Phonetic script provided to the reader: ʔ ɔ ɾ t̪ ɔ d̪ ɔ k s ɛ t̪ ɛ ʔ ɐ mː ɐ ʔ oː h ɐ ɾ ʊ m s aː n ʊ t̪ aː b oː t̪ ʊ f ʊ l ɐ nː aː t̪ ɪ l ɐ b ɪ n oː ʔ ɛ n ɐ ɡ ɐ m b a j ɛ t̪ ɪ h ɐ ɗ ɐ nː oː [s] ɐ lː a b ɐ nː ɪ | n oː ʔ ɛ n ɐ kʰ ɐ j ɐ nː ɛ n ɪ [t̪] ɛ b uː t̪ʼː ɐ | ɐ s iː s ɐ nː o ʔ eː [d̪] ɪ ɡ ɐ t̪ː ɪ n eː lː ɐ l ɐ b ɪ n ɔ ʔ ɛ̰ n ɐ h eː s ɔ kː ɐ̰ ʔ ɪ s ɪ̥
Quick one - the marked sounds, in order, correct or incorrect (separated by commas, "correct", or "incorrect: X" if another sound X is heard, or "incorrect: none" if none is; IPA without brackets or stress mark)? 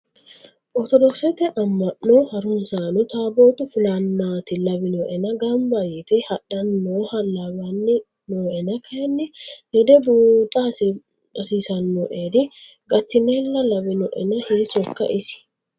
incorrect: h, incorrect: d̪, correct